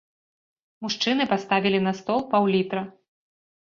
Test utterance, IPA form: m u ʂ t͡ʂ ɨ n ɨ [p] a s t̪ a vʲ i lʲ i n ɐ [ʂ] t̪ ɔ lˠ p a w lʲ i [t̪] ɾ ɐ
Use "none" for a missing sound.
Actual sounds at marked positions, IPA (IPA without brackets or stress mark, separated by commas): p, s, t̪